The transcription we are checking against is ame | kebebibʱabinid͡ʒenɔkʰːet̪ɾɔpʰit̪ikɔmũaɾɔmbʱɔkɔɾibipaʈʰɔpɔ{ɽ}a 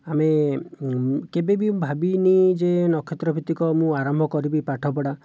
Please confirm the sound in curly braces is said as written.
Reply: yes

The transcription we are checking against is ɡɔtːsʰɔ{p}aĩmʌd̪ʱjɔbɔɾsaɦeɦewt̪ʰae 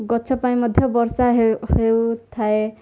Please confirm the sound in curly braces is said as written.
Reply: yes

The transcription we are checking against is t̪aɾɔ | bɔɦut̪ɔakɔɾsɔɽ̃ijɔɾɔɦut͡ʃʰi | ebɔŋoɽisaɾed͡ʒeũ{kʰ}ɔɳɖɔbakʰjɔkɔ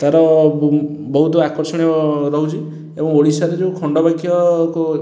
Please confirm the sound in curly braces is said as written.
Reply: yes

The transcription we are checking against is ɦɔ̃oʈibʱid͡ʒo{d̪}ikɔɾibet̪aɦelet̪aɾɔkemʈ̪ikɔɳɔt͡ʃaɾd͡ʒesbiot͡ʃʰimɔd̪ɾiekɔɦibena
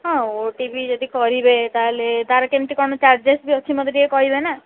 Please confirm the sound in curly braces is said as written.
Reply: yes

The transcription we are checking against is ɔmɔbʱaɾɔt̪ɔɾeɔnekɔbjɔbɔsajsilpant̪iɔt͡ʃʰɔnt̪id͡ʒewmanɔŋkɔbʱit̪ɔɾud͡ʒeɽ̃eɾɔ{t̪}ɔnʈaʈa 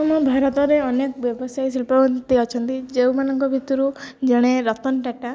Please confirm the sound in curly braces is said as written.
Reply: yes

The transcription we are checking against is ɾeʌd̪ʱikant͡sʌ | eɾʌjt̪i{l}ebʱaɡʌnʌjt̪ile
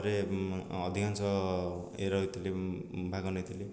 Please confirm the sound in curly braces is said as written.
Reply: yes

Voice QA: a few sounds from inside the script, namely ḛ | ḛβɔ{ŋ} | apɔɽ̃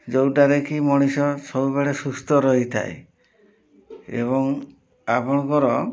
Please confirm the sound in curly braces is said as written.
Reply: yes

